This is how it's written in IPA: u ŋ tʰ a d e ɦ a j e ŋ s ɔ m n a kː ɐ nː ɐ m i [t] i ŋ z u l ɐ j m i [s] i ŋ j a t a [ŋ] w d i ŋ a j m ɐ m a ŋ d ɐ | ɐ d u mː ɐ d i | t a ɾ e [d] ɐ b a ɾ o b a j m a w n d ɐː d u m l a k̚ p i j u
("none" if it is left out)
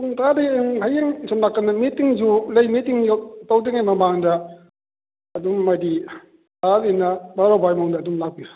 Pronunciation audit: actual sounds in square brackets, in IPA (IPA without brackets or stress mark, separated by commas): t, t, none, n